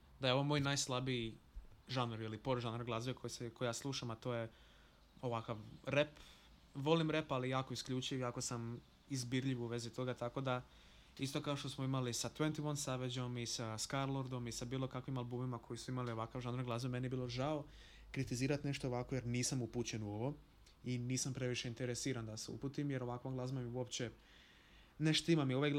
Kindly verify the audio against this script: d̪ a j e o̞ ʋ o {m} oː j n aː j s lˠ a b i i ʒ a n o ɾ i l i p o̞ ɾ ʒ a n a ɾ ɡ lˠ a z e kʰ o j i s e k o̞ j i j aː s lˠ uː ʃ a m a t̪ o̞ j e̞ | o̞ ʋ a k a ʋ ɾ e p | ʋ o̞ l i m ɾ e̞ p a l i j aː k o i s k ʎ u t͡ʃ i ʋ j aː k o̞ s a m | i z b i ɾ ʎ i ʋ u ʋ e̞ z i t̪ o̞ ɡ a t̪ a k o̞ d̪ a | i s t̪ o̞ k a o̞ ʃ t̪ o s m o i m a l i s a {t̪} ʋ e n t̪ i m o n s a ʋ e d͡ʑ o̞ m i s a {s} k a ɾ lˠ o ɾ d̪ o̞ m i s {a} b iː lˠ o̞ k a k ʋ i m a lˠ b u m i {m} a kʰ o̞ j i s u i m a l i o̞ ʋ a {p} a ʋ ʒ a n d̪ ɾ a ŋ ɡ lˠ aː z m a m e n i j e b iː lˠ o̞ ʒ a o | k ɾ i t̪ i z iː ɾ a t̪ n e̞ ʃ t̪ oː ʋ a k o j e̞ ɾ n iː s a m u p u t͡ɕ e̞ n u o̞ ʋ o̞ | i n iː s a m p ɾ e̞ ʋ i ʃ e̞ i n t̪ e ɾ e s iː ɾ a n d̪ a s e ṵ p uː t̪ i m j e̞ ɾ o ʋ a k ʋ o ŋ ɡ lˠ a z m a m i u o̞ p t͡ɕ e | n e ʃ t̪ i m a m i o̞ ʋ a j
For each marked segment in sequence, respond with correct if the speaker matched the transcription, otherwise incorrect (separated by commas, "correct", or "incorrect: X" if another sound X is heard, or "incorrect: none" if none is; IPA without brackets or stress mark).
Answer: correct, correct, correct, correct, correct, incorrect: k